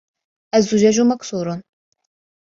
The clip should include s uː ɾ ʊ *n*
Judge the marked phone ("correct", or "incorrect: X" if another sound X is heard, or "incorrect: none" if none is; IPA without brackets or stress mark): correct